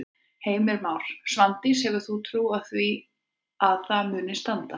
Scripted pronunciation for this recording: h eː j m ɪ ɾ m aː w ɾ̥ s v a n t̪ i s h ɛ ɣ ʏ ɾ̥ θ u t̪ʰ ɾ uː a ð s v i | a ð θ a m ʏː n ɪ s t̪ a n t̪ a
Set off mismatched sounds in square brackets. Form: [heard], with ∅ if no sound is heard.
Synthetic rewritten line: h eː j m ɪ ɾ m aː w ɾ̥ s v a n t̪ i s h ɛ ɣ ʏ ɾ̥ θ u t̪ʰ ɾ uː a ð [θ] v i | a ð θ a m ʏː n ɪ s t̪ a n t̪ a